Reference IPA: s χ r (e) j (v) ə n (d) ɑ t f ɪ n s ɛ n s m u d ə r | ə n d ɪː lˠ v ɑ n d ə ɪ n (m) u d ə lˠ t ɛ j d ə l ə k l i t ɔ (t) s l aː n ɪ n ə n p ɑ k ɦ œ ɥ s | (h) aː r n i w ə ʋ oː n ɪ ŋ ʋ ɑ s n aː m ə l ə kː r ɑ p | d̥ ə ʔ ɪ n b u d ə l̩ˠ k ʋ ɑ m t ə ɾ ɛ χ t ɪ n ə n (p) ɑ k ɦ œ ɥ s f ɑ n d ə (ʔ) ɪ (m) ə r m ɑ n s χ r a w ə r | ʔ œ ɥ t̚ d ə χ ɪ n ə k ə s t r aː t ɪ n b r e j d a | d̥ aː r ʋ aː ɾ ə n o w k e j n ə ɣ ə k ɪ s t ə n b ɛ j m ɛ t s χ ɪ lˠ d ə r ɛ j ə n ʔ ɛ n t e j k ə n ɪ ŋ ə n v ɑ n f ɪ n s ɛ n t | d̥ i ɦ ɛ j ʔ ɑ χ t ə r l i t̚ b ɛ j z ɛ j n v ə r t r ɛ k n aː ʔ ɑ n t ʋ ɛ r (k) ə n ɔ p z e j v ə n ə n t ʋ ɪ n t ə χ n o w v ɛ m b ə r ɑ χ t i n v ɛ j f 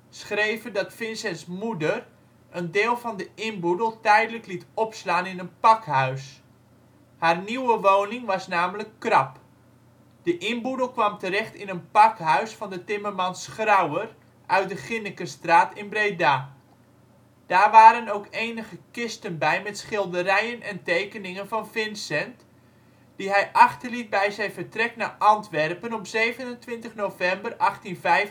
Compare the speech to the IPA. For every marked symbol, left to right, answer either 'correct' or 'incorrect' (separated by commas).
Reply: correct, correct, correct, incorrect, incorrect, correct, correct, incorrect, correct, incorrect